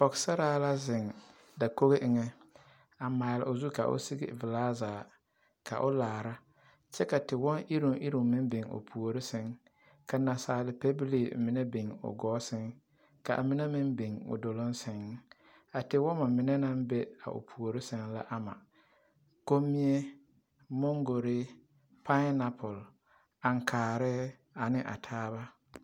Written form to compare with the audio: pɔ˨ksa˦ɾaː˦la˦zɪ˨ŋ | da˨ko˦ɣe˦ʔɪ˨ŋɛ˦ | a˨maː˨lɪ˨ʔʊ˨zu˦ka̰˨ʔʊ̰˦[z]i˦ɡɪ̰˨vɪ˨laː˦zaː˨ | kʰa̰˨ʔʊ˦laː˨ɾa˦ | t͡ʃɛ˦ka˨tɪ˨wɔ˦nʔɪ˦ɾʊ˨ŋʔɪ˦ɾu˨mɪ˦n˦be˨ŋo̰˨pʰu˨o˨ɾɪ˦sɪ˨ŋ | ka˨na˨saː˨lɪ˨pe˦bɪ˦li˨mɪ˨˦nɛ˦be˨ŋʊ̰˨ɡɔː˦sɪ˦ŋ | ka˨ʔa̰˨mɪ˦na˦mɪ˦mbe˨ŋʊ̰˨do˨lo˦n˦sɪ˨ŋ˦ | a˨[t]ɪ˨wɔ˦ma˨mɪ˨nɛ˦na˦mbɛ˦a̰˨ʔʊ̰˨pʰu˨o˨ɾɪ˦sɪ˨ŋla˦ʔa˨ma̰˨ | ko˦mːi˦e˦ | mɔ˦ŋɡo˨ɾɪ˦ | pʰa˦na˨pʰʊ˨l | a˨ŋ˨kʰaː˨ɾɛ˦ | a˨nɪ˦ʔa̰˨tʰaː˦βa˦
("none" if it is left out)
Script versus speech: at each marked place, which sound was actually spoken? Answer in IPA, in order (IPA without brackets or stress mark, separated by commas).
s, t